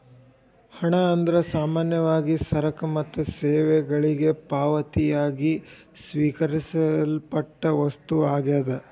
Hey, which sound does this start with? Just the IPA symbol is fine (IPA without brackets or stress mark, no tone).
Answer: h